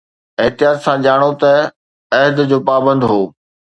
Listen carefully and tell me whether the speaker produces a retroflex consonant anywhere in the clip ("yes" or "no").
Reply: yes